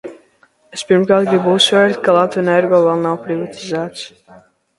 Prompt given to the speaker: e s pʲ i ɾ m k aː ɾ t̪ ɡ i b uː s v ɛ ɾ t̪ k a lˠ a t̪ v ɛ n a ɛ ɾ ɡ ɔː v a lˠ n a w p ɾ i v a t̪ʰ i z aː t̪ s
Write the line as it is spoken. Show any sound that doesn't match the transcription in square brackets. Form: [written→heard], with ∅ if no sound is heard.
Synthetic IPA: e s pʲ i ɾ m k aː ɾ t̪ ɡ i b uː s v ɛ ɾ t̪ k a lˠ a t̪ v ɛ n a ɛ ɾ ɡ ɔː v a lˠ n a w p ɾ i v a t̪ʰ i z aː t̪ s